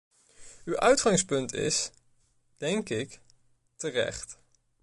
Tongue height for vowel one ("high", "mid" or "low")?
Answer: high